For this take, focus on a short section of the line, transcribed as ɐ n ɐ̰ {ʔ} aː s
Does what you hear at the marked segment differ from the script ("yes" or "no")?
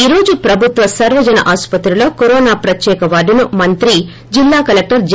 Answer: no